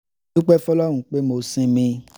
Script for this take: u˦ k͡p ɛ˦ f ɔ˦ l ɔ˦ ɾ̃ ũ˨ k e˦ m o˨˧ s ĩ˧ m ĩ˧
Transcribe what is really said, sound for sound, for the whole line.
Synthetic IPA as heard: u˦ k͡p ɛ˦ f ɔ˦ l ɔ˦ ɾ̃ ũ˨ k͡p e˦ m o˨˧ s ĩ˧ m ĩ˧